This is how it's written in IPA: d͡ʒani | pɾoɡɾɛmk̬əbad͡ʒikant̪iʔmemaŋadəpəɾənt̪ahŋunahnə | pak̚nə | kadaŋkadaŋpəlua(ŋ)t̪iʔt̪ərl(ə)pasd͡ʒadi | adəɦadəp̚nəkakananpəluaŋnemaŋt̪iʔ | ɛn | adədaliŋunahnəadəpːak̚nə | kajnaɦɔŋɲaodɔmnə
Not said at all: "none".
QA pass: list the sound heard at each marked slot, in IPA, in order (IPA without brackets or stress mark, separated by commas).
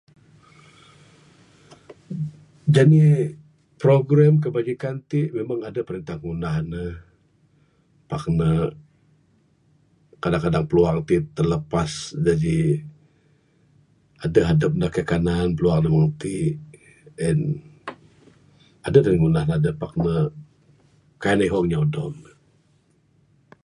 ŋ, ə